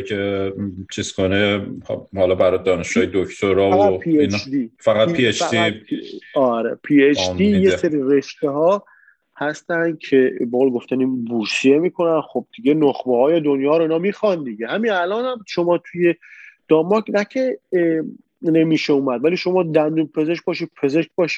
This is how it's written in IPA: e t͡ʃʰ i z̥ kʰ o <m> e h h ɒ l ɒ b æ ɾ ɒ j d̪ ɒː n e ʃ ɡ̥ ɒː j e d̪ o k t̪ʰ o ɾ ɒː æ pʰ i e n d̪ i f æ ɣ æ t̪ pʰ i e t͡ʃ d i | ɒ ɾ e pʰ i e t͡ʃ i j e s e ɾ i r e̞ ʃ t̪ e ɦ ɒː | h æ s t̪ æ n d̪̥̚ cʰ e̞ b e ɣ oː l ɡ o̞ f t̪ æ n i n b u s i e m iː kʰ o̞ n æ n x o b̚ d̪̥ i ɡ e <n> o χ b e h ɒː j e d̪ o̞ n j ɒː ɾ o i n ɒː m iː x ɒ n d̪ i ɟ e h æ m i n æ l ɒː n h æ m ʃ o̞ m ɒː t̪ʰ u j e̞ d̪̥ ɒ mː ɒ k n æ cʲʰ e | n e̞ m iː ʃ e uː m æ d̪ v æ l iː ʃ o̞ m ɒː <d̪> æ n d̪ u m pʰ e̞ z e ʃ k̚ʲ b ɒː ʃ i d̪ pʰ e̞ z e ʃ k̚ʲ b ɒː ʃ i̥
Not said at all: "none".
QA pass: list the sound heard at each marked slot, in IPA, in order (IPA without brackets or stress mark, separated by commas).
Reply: n, n, d̪